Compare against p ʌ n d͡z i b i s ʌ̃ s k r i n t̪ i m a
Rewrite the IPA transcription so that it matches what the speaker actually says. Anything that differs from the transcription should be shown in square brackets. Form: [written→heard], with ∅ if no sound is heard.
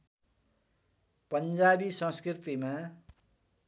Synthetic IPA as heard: p ʌ n d͡z [i→a] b i s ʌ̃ s k r i [n→∅] t̪ i m a

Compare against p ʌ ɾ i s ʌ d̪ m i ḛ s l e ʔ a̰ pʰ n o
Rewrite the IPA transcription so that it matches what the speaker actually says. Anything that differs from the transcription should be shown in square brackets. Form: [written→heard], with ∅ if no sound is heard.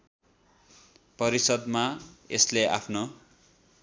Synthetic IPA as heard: p ʌ ɾ i s ʌ d̪ m [i→a] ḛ s l e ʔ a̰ pʰ n o

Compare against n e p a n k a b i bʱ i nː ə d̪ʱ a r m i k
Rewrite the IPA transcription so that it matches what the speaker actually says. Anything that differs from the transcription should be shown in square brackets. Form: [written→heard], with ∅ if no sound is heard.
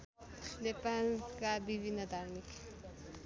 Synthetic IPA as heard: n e p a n k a b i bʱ i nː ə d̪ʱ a [r→ɾ] m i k

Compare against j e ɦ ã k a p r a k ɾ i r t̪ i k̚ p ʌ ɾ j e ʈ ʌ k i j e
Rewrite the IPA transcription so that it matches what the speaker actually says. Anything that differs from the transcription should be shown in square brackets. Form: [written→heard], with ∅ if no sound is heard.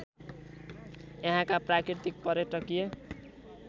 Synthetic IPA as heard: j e ɦ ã k a p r a k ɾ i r t̪ i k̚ p ʌ ɾ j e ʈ ʌ k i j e

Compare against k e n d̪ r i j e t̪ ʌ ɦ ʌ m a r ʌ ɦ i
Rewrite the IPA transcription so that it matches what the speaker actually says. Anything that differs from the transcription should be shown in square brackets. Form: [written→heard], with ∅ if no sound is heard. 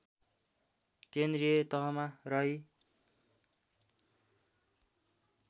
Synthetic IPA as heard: k e n d̪ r i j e t̪ ʌ ɦ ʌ m a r ʌ ɦ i

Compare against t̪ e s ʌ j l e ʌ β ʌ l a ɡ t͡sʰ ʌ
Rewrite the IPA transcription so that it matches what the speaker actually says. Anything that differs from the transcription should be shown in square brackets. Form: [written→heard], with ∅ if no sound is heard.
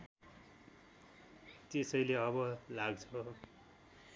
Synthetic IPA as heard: t̪ e s ʌ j l e ʌ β ʌ l a ɡ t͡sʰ ʌ

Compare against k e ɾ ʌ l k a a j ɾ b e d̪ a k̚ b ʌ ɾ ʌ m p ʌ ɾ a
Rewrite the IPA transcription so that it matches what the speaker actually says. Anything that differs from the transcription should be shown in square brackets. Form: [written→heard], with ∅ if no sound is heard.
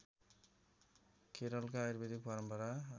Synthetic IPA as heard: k e ɾ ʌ l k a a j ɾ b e d̪ [a→i] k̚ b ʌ ɾ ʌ m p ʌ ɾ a

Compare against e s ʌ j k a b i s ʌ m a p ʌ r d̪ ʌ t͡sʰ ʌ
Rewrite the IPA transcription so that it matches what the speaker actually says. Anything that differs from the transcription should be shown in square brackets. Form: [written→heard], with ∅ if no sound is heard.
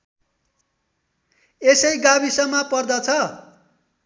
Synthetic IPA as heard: e s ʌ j [k→ɡ] a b i s ʌ m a p ʌ r d̪ ʌ t͡sʰ ʌ

